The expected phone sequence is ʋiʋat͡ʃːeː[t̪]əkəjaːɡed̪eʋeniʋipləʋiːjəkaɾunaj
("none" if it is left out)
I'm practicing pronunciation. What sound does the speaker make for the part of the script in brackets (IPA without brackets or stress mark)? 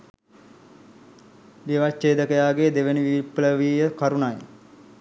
d̪